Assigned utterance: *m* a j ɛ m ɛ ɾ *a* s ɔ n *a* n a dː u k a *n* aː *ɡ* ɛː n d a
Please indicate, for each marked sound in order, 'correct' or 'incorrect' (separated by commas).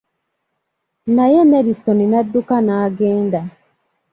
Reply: incorrect, incorrect, incorrect, correct, correct